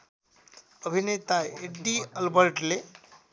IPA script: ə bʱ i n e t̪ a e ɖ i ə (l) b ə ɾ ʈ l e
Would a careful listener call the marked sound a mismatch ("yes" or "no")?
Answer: no